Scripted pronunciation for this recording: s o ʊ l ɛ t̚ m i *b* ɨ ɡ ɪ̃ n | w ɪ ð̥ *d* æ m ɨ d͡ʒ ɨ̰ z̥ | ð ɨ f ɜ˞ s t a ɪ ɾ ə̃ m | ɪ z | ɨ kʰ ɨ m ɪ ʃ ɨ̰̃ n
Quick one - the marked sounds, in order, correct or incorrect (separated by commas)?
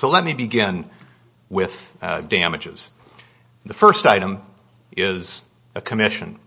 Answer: correct, correct